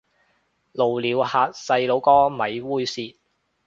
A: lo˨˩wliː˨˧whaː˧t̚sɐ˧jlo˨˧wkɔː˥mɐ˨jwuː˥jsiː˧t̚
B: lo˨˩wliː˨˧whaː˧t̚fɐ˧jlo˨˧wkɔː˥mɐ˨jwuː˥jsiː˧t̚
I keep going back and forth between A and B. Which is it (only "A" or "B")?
A